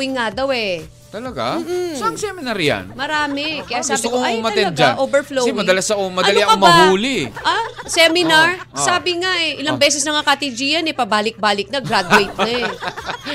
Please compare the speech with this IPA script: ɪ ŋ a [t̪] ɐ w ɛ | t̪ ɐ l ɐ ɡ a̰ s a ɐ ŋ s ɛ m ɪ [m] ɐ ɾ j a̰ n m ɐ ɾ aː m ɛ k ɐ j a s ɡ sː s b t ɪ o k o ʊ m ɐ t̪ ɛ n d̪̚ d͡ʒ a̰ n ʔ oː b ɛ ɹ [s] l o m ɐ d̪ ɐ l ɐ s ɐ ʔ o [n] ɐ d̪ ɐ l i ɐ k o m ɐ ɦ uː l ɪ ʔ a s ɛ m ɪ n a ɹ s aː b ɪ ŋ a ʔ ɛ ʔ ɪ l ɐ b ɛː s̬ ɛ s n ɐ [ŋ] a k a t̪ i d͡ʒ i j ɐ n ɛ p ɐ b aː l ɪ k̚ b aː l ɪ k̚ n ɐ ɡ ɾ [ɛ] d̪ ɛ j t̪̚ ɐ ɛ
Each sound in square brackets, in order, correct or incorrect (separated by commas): incorrect, incorrect, incorrect, incorrect, correct, incorrect